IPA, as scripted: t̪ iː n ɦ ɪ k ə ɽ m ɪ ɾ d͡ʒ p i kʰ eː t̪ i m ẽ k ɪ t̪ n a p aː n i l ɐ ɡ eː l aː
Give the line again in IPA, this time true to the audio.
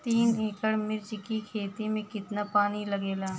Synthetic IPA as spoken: t̪ iː n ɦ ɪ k ə ɽ m ɪ ɾ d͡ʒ k i kʰ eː t̪ i m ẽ k ɪ t̪ n a p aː n i l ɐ ɡ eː l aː